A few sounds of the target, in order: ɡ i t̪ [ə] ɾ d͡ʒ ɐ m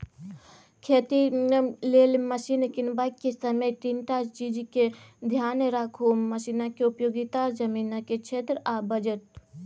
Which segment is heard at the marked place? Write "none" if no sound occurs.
a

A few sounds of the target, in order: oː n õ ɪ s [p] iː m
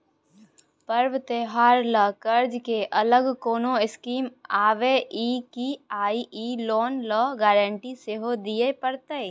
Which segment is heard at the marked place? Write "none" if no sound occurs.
k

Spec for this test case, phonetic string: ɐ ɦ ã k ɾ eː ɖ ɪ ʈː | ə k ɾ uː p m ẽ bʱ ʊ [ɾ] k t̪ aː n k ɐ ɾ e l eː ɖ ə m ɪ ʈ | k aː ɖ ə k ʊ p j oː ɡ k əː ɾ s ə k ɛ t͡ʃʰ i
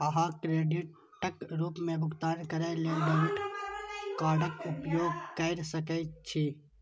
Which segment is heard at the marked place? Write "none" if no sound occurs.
none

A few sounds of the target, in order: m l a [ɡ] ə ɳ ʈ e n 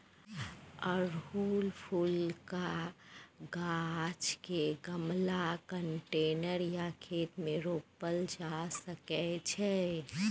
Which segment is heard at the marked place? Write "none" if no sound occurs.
k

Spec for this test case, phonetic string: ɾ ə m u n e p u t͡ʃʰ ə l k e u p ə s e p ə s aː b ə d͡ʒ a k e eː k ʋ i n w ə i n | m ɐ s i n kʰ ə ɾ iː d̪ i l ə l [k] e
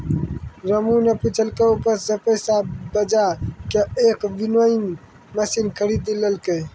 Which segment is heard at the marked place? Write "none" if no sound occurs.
k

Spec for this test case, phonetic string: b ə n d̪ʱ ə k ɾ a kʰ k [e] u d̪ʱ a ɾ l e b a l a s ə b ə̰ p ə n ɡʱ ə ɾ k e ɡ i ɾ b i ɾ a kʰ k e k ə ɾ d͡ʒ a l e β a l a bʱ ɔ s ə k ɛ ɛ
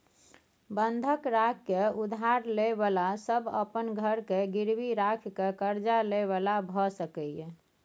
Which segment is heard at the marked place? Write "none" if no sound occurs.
e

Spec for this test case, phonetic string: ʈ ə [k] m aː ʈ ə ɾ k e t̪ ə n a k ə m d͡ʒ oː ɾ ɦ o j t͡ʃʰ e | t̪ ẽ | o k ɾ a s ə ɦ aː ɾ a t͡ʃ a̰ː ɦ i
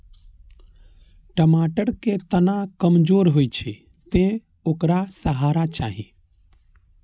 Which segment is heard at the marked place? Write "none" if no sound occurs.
none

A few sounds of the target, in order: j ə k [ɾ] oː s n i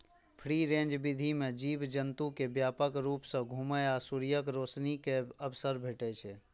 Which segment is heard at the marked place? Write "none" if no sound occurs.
ɾ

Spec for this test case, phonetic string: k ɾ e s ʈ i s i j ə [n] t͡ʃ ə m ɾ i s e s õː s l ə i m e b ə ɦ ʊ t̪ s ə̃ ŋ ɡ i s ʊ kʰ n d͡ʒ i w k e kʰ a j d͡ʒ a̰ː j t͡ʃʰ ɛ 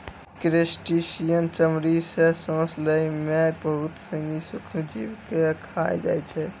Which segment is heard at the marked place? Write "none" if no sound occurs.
n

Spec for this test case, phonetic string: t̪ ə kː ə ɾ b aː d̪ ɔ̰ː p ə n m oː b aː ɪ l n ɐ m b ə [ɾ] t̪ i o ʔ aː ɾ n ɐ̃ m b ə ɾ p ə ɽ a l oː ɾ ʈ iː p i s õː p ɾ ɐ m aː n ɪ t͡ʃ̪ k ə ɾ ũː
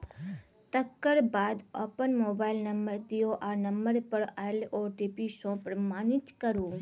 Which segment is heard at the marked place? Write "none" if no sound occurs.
ɾ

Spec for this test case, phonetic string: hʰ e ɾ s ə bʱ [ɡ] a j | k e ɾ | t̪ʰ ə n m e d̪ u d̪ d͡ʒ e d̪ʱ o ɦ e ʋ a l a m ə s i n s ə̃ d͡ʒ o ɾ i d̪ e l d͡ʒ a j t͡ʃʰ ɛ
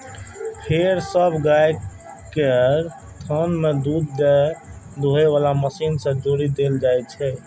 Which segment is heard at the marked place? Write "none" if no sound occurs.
ɡ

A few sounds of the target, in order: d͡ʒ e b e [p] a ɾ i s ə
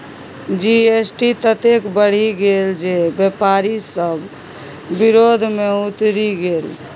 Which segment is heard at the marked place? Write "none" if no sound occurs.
p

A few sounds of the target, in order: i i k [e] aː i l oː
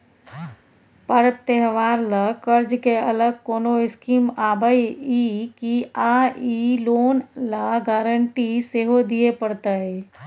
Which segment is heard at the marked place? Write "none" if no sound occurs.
i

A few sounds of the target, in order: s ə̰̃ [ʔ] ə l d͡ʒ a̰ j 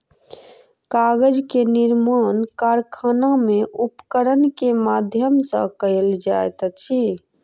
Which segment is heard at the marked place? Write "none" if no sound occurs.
k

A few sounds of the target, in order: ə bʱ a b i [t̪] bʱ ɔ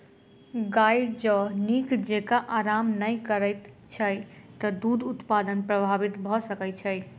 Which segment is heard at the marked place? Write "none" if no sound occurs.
t̪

